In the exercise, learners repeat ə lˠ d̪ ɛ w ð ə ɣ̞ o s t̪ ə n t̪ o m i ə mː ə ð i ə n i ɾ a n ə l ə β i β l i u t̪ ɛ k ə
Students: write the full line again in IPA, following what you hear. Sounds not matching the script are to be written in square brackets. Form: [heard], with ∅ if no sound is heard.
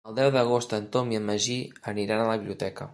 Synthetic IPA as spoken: ə lˠ d̪ ɛ w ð ə ɣ̞ o s t̪ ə n t̪ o m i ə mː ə [ʒ] i ə n i ɾ a n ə l ə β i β l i u t̪ ɛ k ə